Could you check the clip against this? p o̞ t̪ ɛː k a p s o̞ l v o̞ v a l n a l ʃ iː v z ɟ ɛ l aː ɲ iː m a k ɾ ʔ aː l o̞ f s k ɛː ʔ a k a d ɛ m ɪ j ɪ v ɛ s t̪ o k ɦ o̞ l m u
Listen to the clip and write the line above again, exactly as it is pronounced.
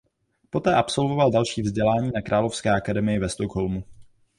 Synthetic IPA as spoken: p o̞ t̪ ɛː ʔ a p s o̞ l v o̞ v a l d a l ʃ iː v z ɟ ɛ l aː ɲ iː n a k ɾ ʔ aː l o̞ f s k ɛː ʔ a k a d ɛ m ɪ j ɪ v ɛ s t̪ o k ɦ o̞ l m u